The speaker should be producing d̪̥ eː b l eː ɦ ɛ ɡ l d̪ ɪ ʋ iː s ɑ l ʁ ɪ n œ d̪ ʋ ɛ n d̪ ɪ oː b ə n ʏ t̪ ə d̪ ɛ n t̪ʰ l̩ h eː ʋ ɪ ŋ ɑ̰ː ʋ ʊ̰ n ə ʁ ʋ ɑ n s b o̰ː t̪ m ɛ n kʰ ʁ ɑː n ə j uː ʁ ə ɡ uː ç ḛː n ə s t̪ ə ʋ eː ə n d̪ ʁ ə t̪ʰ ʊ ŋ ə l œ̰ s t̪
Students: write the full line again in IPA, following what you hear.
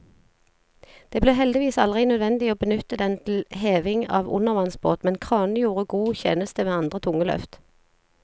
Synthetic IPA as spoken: d̪̥ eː b l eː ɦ ɛ l d̪ ɪ ʋ iː s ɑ l ʁ ɪ n œ d̪ ʋ ɛ n d̪ ɪ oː b ə n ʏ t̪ ə d̪ ɛ n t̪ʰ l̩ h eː ʋ ɪ ŋ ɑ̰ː ʋ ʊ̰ n ə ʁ ʋ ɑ n s b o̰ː t̪ m ɛ n kʰ ʁ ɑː n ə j uː ʁ ə ɡ uː ç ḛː n ə s t̪ ə ʋ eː ɑ n d̪ ʁ ə t̪ʰ ʊ ŋ ə l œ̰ f t̪